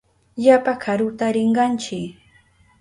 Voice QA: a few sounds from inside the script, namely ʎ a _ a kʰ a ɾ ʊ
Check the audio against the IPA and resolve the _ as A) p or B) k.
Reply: A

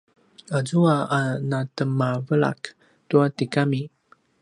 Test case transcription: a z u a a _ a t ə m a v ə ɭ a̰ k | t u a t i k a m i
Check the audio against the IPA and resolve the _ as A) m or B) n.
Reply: B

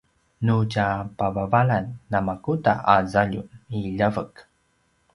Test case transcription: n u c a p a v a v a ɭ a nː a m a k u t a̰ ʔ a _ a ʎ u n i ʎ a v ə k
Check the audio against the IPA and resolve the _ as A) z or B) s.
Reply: A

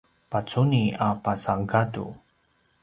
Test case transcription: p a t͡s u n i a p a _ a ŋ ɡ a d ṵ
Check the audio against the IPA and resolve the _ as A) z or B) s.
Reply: B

